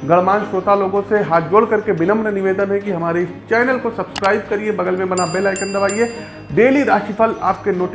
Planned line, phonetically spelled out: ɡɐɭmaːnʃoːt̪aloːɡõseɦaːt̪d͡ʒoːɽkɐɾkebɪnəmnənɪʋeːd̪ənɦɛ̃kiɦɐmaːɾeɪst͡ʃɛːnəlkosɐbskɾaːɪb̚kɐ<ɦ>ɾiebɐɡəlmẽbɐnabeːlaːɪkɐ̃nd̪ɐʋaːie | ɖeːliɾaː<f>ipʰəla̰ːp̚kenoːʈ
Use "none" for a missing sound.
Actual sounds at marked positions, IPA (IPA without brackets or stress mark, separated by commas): none, ʃ